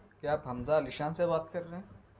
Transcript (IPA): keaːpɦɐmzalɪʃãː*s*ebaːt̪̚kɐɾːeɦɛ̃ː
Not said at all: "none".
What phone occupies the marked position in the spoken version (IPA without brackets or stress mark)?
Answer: s